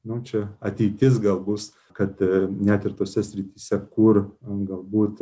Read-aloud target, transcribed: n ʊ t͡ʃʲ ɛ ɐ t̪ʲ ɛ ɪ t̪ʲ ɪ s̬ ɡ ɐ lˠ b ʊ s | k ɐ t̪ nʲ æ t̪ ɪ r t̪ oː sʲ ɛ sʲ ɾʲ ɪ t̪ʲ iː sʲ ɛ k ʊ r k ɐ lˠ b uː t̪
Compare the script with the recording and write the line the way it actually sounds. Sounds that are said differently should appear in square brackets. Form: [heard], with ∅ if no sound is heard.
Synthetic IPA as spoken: n ʊ t͡ʃʲ ɛ ɐ t̪ʲ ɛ ɪ t̪ʲ ɪ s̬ ɡ ɐ lˠ b ʊ s | k ɐ t̪ nʲ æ t̪ ɪ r t̪ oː sʲ ɛ sʲ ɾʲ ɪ t̪ʲ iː sʲ ɛ k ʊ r [ɡ] ɐ lˠ b uː t̪